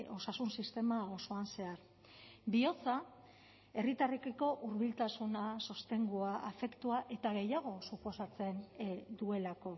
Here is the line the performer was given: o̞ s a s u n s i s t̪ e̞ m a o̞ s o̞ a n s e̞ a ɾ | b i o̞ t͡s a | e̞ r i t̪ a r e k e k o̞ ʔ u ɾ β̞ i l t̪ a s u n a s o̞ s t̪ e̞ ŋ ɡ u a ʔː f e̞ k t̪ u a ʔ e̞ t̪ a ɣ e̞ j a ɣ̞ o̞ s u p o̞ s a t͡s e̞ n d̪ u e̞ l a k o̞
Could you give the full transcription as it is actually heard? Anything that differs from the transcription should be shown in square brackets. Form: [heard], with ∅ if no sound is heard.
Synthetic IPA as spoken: o̞ s a s u n s i s t̪ e̞ m a o̞ s o̞ a n s e̞ a ɾ | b i o̞ t͡s a | e̞ r i t̪ a r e k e k o̞ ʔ u ɾ β̞ i l t̪ a s u n a s o̞ s t̪ e̞ ŋ ɡ u a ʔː f e̞ k t̪ u a ʔ e̞ t̪ a ɣ e̞ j a ɣ̞ o̞ s u p o̞ s a t͡s e̞ n d̪ u e̞ l a k o̞